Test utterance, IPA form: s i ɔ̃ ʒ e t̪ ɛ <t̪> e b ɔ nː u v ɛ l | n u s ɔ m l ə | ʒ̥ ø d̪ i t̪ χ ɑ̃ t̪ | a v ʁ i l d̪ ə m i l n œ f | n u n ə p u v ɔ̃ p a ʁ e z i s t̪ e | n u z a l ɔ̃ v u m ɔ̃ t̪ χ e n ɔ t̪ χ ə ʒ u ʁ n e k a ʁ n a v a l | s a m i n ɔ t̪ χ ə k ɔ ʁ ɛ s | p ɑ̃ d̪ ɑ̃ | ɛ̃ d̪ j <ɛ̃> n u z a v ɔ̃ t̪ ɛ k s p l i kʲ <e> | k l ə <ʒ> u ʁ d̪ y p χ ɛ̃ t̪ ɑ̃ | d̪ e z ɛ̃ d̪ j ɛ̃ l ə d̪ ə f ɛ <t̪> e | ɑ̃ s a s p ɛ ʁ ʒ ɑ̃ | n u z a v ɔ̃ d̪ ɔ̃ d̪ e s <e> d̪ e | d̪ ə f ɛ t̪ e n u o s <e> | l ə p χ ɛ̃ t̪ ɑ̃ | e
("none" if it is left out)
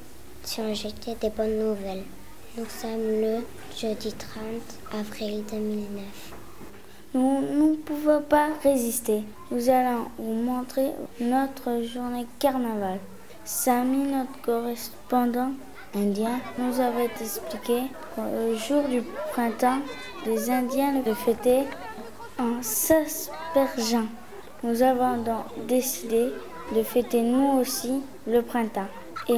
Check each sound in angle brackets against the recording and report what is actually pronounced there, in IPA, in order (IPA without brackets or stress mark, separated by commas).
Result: d̪, ɛ̃, e, ʒ, t̪, i, i